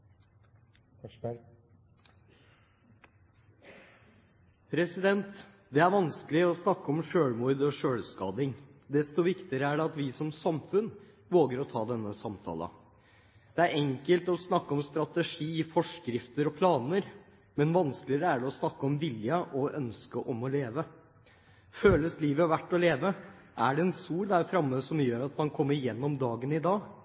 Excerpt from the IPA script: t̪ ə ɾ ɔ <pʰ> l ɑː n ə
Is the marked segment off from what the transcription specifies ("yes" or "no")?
no